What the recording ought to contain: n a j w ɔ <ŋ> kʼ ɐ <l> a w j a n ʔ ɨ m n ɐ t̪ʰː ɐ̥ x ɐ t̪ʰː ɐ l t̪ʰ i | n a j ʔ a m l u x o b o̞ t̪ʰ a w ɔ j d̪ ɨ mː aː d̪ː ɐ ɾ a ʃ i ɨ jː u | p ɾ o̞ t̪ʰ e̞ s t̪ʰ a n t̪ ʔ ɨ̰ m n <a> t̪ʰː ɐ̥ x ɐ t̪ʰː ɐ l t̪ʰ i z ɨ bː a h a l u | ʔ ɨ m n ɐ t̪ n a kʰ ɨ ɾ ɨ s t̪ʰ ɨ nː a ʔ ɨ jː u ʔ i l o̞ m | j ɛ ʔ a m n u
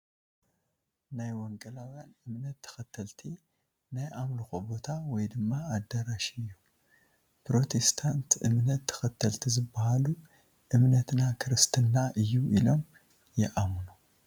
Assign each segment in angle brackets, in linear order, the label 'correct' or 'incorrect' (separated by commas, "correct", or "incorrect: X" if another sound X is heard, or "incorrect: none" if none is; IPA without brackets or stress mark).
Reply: correct, correct, incorrect: ɐ